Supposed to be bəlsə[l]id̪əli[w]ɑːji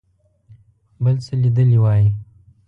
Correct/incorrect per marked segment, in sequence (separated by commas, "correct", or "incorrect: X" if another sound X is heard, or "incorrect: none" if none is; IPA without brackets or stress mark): correct, correct